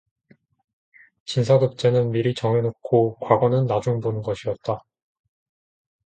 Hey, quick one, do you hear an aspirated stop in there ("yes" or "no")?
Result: yes